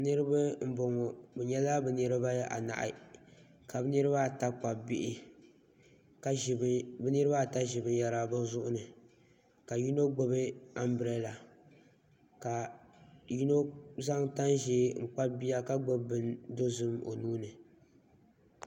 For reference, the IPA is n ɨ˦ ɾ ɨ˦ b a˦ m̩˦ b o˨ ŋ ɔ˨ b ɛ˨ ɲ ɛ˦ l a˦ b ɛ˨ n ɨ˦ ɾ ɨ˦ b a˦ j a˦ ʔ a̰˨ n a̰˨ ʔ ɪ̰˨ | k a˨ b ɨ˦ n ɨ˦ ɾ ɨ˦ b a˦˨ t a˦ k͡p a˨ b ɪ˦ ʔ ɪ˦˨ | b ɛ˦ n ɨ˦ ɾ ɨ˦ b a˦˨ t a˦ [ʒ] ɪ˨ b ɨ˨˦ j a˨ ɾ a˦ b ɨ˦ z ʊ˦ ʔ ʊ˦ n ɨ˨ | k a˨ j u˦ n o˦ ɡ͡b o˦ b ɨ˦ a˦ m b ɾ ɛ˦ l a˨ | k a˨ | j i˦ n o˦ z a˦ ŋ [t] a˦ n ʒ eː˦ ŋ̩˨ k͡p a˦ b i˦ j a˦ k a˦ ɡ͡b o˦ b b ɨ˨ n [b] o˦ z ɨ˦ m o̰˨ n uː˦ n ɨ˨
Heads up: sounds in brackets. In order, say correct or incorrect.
correct, correct, incorrect: d

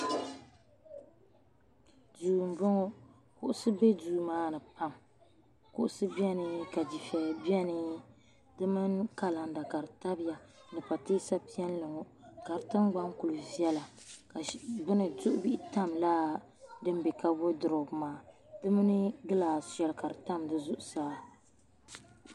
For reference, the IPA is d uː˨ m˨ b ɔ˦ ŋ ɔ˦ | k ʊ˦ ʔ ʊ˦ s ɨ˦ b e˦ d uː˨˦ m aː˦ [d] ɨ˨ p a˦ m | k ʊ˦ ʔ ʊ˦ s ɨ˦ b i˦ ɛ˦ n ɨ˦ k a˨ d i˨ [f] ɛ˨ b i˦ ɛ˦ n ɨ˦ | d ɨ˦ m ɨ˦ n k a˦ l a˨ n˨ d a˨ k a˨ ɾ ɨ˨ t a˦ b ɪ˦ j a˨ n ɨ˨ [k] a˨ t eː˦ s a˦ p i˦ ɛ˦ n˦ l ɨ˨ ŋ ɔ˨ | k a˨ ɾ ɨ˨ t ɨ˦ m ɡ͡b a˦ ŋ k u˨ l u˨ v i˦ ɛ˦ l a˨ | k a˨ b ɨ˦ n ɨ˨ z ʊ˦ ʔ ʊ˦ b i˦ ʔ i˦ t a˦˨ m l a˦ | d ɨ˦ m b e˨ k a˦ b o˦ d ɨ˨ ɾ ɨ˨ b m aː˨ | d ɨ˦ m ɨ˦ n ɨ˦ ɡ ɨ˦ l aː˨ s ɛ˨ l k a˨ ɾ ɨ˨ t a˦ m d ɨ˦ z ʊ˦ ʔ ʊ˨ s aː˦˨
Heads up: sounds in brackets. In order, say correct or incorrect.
incorrect: n, correct, incorrect: p

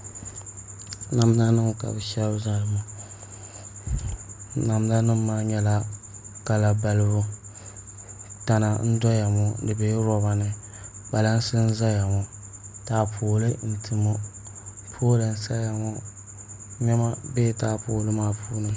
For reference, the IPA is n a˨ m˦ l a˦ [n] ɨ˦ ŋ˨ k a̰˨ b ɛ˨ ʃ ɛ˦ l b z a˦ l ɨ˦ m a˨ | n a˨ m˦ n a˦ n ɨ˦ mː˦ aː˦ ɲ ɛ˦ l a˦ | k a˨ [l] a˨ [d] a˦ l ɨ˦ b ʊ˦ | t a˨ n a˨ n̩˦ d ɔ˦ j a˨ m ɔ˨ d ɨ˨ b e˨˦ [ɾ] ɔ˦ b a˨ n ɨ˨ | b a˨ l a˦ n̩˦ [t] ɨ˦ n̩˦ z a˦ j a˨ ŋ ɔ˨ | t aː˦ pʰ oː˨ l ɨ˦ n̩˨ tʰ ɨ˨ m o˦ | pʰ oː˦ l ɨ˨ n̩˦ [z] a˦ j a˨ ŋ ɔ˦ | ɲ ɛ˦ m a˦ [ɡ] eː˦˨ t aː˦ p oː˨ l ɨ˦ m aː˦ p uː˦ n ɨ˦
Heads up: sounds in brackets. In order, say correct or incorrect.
correct, correct, incorrect: b, correct, incorrect: s, incorrect: s, incorrect: b

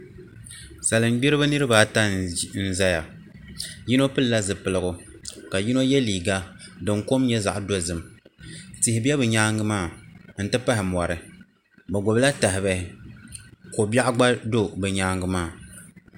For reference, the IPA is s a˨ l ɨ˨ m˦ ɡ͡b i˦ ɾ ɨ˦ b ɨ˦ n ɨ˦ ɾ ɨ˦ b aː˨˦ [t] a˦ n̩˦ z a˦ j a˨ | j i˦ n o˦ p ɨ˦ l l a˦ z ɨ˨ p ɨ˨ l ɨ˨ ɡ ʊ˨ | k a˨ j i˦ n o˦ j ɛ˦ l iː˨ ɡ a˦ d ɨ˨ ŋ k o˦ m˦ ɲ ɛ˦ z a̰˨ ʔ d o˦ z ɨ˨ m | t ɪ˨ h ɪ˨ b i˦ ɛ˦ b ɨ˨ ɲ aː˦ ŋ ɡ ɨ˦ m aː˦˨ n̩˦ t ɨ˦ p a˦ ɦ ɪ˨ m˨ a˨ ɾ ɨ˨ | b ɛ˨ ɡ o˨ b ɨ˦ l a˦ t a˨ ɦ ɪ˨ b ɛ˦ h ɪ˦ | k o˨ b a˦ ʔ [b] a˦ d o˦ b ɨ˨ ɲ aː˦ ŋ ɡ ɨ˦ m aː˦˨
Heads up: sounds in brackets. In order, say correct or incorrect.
correct, incorrect: ɡ͡b

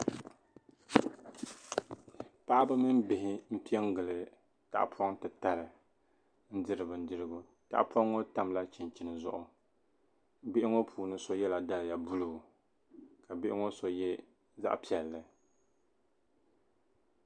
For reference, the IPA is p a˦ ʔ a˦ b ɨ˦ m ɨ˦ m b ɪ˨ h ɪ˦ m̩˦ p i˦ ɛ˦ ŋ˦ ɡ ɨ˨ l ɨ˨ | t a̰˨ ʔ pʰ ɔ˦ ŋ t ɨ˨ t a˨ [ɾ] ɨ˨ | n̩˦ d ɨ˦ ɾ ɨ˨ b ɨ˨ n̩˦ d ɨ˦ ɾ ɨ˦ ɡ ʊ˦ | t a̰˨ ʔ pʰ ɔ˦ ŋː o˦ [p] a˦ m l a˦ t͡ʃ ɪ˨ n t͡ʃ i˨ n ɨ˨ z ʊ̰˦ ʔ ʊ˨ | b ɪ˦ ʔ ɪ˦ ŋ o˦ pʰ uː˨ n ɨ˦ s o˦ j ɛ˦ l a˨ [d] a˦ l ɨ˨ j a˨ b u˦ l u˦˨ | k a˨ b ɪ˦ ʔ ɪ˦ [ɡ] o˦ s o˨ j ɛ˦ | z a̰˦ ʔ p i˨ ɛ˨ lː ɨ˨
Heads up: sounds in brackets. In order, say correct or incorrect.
correct, incorrect: t, correct, incorrect: ŋ

